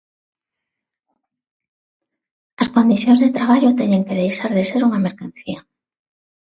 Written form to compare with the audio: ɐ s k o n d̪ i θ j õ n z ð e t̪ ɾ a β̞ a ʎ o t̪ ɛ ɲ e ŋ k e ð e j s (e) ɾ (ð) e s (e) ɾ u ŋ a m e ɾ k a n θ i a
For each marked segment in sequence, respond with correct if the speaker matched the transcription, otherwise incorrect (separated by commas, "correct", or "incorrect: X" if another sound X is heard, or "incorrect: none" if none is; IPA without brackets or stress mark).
incorrect: a, correct, correct